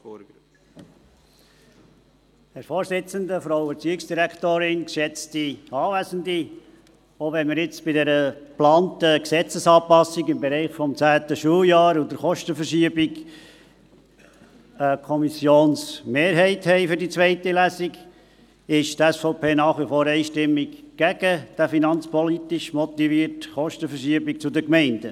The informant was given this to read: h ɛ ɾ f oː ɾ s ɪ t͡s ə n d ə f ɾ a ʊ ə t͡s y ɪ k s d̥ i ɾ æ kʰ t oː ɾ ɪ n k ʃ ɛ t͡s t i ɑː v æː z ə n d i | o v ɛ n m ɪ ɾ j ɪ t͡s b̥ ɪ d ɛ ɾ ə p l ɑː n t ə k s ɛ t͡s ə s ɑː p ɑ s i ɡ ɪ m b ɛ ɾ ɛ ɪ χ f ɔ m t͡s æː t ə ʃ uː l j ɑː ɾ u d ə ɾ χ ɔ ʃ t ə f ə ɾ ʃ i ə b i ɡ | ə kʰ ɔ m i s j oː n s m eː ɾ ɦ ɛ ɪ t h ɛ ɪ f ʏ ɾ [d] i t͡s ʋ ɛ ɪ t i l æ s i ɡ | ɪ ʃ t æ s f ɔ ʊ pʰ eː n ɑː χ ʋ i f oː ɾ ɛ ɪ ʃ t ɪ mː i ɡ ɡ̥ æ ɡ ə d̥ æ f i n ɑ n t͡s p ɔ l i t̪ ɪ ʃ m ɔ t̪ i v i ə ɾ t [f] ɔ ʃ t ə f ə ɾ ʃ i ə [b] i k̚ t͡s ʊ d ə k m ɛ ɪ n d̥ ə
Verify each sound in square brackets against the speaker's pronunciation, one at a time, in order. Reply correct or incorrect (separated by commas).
correct, incorrect, correct